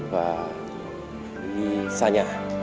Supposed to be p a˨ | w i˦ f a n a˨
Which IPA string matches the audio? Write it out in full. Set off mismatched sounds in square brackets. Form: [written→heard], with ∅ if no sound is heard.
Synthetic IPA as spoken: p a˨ | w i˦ [f→s] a [n→ɲ] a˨